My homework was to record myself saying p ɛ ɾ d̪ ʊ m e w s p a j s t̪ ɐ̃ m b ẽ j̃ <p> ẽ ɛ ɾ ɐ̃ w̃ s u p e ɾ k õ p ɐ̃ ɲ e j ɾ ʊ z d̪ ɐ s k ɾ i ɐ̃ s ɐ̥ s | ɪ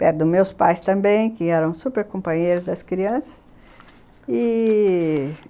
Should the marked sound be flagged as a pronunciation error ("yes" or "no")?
yes